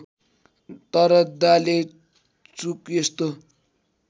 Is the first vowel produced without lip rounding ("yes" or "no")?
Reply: yes